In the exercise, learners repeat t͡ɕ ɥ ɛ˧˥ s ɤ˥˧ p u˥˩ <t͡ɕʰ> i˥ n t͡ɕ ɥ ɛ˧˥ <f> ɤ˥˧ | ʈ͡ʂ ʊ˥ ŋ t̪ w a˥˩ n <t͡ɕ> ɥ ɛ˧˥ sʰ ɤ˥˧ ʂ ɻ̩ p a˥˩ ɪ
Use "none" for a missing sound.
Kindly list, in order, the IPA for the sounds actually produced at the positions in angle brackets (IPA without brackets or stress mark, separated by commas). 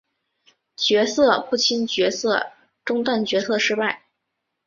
t͡ɕʰ, s, t͡ɕ